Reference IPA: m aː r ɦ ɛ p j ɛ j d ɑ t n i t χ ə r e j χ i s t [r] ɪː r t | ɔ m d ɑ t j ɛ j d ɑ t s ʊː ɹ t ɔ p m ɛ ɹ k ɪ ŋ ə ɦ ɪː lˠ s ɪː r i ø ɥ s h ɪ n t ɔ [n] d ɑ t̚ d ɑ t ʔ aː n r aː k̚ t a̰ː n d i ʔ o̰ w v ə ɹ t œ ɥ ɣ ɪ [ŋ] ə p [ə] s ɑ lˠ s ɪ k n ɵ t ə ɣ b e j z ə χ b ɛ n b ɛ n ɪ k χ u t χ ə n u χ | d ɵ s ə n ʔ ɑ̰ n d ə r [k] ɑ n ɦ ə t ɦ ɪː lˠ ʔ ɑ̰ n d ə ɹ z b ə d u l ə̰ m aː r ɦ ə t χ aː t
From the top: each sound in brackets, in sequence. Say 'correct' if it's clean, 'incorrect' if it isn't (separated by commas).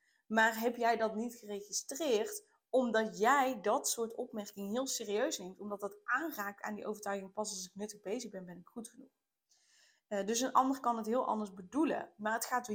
correct, incorrect, correct, incorrect, correct